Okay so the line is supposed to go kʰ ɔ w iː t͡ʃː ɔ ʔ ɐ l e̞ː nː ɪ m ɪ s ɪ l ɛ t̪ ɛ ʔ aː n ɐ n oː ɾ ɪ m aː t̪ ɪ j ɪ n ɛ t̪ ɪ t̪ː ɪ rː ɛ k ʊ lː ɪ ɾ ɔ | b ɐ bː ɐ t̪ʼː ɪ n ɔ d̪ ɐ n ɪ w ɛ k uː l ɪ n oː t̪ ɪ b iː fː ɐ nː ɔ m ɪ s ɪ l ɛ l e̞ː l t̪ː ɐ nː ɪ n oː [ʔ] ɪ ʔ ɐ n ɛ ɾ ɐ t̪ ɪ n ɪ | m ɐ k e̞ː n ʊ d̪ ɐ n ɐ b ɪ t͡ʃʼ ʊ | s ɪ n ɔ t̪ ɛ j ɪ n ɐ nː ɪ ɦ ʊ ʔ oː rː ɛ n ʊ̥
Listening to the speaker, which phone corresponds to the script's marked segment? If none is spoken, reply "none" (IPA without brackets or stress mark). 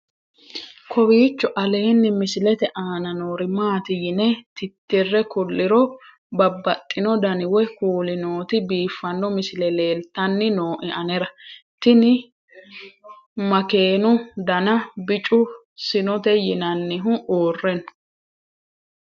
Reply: ʔ